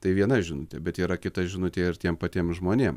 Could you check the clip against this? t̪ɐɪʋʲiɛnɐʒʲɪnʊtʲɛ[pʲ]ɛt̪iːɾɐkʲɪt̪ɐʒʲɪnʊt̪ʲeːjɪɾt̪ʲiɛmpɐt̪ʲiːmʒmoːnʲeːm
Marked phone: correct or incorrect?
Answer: incorrect